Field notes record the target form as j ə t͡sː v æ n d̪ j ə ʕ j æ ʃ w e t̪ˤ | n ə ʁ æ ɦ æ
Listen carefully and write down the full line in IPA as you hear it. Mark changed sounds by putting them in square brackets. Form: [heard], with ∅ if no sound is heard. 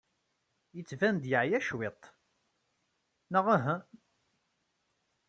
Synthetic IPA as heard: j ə t͡sː v æ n d̪ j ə ʕ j æ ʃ w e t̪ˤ | n ə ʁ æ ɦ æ